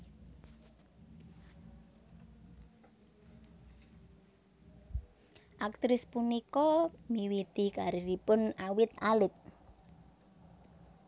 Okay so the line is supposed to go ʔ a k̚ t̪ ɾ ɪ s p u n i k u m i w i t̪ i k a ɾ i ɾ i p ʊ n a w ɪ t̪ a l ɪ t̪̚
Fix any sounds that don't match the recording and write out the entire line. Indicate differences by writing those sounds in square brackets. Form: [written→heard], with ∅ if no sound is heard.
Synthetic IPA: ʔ a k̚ t̪ ɾ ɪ s p u n i k [u→ɔ] m i w i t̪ i k a ɾ i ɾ i p ʊ n a w ɪ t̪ a l ɪ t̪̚